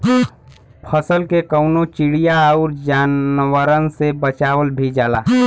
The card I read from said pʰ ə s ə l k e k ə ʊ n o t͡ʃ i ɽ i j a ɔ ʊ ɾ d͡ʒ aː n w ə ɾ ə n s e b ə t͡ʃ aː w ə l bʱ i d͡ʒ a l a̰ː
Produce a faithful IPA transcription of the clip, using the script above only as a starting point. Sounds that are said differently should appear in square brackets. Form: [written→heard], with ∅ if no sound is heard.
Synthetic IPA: pʰ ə s ə l k e k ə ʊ n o t͡ʃ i ɽ i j a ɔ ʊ ɾ d͡ʒ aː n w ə ɾ ə n s e b ə t͡ʃ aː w ə l bʱ i d͡ʒ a l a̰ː